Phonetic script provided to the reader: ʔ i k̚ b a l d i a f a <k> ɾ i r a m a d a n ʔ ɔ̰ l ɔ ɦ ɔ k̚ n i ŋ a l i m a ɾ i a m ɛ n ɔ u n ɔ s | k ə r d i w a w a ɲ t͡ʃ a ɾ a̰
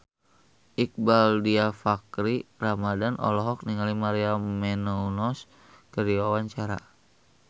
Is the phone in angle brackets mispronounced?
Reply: no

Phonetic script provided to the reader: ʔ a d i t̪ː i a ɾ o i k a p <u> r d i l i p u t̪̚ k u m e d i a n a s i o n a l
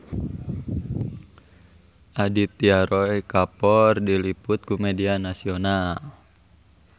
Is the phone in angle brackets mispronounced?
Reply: yes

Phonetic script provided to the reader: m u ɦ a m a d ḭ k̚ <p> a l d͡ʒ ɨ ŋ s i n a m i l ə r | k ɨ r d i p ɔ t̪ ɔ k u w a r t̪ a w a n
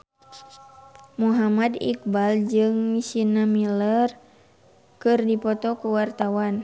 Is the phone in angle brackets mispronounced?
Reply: yes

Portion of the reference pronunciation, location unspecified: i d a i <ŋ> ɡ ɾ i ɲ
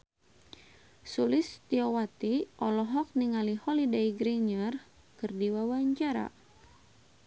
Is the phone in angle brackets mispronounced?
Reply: yes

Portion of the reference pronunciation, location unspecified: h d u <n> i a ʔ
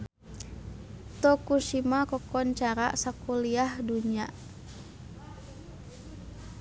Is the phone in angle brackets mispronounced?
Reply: yes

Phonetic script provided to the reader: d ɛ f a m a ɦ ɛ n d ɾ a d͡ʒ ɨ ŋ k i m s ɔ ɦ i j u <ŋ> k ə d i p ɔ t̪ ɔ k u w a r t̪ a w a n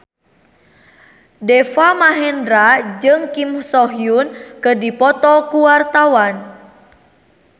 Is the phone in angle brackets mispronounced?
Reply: yes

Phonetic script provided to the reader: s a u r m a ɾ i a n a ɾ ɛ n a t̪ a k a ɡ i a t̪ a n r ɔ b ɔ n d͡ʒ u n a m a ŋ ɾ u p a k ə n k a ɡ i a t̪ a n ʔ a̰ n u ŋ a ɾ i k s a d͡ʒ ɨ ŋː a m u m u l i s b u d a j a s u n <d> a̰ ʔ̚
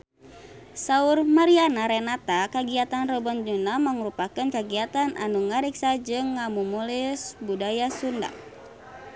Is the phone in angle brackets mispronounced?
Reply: no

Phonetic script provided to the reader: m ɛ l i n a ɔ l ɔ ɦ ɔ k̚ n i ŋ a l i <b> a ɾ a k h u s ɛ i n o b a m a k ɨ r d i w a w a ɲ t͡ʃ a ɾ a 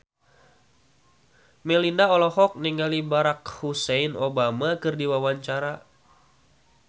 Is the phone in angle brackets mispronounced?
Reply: no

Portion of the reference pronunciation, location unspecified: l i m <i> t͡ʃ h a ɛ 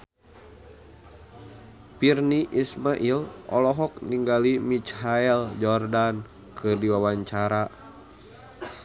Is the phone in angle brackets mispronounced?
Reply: no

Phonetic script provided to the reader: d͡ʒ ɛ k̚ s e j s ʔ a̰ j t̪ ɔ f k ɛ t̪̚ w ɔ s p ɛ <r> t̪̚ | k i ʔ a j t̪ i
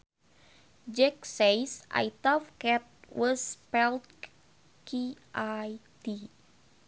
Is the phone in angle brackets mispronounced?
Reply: yes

